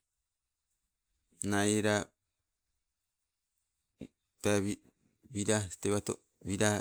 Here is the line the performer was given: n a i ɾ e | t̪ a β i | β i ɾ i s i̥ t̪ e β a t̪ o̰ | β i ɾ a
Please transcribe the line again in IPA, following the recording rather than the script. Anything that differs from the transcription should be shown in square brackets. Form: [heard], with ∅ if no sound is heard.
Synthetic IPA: n a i ɾ [a] | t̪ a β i | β i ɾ [a] s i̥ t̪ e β a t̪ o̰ | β i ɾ a